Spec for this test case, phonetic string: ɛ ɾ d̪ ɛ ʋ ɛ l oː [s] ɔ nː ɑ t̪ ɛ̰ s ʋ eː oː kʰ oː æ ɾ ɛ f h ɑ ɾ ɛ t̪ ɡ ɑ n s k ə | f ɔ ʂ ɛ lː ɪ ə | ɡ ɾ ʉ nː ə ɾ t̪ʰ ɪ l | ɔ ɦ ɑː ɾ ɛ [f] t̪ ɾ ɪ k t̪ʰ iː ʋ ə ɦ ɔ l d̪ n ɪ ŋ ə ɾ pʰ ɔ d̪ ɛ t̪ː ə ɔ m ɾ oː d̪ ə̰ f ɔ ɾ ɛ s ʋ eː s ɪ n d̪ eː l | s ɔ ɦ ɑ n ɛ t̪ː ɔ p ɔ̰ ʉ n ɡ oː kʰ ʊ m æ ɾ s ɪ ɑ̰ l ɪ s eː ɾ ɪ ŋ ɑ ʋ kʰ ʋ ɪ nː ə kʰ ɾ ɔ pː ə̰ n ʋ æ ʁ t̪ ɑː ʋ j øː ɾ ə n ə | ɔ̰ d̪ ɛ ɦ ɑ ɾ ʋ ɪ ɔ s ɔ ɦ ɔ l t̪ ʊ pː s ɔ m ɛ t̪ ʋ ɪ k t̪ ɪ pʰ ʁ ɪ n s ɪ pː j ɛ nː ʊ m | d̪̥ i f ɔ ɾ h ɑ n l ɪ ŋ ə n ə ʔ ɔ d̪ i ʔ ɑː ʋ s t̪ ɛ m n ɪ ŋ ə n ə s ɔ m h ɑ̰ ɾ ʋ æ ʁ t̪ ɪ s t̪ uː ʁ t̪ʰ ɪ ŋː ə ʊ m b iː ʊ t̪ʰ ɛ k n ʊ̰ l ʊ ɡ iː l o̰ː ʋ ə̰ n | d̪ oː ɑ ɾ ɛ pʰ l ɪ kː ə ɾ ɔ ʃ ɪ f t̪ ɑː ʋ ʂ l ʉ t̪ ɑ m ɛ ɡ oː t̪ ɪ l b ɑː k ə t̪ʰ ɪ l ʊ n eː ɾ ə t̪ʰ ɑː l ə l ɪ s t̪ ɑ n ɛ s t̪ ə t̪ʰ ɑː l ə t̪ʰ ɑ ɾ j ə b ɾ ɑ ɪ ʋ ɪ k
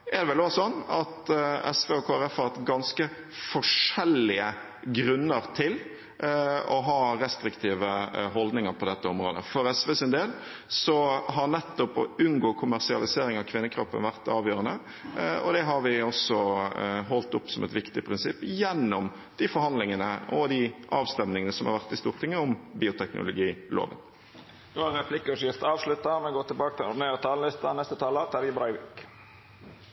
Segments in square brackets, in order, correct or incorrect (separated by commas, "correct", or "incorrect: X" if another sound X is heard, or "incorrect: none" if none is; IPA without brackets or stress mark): correct, incorrect: s